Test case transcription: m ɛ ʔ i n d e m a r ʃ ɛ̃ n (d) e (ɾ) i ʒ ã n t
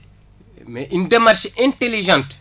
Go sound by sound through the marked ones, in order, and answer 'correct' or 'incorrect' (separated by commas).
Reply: incorrect, incorrect